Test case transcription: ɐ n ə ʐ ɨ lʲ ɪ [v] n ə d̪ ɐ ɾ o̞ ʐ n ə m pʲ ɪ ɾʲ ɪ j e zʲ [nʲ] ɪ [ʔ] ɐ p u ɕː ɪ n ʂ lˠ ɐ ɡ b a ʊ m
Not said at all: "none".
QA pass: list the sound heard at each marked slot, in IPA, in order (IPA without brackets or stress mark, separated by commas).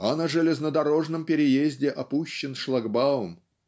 z, dʲ, ʔ